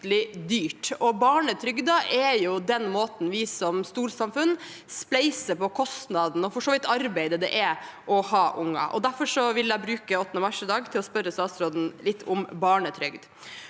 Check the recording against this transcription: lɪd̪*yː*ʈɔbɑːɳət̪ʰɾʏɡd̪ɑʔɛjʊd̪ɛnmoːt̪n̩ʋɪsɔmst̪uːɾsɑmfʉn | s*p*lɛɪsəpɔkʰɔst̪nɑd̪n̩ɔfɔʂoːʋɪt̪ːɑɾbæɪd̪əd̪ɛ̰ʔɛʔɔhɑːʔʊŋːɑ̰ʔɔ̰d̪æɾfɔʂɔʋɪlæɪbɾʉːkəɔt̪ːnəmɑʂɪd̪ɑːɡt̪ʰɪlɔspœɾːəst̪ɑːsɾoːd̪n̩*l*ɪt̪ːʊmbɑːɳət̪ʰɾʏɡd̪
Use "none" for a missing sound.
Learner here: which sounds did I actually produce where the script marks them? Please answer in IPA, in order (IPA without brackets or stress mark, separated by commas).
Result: yː, p, l